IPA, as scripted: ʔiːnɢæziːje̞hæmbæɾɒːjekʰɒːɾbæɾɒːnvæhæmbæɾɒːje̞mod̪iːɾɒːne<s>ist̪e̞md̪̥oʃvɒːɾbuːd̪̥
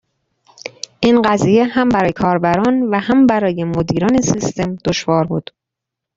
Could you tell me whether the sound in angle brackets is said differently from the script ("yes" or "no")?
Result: no